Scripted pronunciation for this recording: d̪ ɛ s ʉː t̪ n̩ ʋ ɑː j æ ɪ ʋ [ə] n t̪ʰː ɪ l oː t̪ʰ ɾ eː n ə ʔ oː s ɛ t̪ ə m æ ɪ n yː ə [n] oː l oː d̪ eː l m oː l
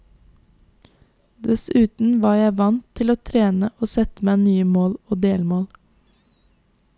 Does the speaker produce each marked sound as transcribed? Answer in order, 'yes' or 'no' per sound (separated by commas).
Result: no, no